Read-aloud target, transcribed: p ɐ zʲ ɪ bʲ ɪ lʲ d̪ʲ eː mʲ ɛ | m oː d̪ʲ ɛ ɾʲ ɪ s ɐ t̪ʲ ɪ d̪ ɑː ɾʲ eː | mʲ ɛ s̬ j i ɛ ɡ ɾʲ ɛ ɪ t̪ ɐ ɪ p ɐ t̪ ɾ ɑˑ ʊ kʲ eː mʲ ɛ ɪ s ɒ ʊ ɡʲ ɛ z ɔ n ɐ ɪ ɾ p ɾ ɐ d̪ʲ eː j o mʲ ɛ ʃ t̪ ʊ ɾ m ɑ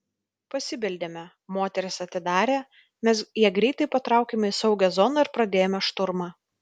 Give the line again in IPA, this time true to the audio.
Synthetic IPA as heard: p ɐ sʲ ɪ bʲ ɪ lʲ d̪ʲ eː mʲ ɛ | m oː t̪ʲ ɛ ɾʲ ɪ s ɐ t̪ʲ ɪ d̪ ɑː ɾʲ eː | mʲ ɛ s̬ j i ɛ ɡ ɾʲ ɛ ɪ t̪ ɐ ɪ p ɐ t̪ ɾ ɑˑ ʊ kʲ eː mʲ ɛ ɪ s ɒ ʊ ɡʲ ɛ z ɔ n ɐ ɪ ɾ p ɾ ɐ d̪ʲ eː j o mʲ ɛ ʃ t̪ ʊ ɾ m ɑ

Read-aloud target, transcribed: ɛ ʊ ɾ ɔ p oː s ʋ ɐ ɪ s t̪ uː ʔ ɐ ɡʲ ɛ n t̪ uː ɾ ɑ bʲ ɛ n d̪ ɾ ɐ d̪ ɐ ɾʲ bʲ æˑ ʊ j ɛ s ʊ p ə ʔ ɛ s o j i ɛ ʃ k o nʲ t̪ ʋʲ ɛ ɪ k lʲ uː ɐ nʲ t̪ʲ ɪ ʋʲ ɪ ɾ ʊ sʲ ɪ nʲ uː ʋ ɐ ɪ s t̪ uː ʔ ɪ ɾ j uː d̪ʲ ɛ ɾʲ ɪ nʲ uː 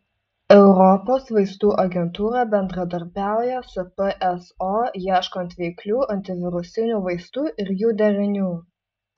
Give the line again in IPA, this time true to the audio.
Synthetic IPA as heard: ɛ ʊ ɾ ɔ p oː s ʋ ɐ ɪ s t̪ uː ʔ ɐ ɡʲ ɛ n t̪ uː ɾ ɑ bʲ ɛ n d̪ ɾ ɐ d̪ ɐ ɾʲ bʲ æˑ ʊ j ɛ s ʊ p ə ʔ ɛ s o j i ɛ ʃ k o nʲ t̪ ʋʲ ɛ ɪ k lʲ uː ɐ nʲ t̪ʲ ɪ ʋʲ ɪ ɾ ʊ sʲ ɪ nʲ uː ʋ ɐ ɪ s t̪ uː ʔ ɪ ɾ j uː d̪ʲ ɛ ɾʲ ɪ nʲ uː

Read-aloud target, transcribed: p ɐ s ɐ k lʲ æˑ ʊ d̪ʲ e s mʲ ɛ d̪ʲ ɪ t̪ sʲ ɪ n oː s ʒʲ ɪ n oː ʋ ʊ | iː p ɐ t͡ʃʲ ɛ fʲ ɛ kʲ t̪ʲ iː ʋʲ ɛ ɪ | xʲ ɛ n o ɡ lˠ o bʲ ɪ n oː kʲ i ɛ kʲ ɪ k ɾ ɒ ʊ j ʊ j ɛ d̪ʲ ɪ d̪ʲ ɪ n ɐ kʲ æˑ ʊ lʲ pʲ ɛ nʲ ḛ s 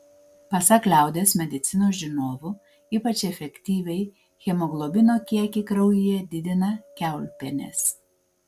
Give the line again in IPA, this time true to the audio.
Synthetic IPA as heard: p ɐ s ɐ k lʲ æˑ ʊ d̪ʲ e s mʲ ɛ d̪ʲ ɪ t̪ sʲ ɪ n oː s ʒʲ ɪ n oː ʋ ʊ | iː p ɐ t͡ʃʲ ɛ fʲ ɛ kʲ t̪ʲ iː ʋʲ ɛ ɪ | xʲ ɛ m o ɡ lˠ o bʲ ɪ n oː kʲ i ɛ kʲ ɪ k ɾ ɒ ʊ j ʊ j ɛ d̪ʲ ɪ d̪ʲ ɪ n ɐ kʲ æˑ ʊ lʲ pʲ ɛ nʲ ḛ s

